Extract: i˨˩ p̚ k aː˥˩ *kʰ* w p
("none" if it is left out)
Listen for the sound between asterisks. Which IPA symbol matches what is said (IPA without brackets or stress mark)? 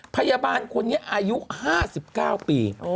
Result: none